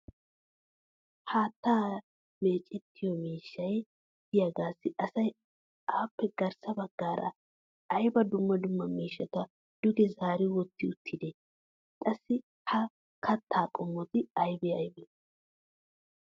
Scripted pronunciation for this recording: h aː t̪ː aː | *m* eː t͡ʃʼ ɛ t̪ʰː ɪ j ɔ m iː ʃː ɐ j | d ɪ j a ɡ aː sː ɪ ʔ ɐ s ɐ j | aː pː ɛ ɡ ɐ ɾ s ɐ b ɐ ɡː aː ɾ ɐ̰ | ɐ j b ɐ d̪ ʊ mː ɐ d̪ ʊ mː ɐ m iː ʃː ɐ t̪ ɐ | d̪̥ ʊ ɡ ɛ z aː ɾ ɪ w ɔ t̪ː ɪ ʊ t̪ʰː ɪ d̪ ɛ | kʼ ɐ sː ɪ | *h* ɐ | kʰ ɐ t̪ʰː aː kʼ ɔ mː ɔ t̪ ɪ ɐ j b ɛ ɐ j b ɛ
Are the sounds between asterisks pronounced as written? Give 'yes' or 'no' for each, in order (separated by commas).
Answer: yes, yes